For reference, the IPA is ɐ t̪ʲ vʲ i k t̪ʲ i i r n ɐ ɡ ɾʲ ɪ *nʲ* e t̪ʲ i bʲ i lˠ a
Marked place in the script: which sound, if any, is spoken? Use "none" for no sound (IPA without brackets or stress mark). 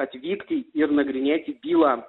nʲ